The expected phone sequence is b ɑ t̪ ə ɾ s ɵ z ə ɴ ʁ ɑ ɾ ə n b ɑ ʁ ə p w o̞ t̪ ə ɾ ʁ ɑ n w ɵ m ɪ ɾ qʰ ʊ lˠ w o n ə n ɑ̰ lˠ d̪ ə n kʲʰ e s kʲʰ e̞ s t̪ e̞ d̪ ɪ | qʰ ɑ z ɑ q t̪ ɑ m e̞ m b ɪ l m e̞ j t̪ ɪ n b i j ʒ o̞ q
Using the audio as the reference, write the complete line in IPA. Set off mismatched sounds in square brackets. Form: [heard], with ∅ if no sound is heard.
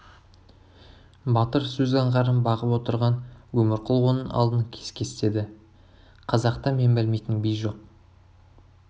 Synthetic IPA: b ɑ t̪ ə ɾ s ɵ z [ɑ] ɴ ʁ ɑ ɾ ə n b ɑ ʁ ə p w o̞ t̪ ə ɾ ʁ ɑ n w ɵ m ɪ ɾ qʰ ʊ lˠ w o n ə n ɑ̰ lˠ d̪ ə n kʲʰ e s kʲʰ e̞ s t̪ e̞ d̪ ɪ | qʰ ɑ z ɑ q t̪ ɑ m e̞ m b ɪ l m e̞ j t̪ ɪ n b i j ʒ o̞ q